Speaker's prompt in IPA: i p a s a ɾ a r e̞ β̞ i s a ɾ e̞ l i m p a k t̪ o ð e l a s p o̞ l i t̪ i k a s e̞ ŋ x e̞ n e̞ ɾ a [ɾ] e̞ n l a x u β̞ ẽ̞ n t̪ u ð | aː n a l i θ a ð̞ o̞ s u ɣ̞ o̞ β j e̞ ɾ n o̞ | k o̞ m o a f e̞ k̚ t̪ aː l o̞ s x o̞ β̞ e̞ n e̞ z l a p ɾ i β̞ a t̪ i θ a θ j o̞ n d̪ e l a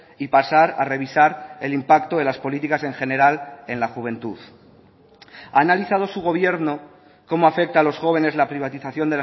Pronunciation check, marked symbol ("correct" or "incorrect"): incorrect